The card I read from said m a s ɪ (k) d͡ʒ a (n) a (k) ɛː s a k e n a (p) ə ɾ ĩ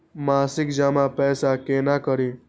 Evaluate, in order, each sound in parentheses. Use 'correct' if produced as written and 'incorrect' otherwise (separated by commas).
correct, incorrect, incorrect, incorrect